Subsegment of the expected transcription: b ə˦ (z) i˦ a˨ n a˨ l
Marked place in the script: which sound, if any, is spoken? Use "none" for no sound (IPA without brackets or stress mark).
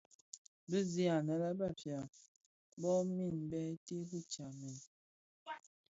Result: z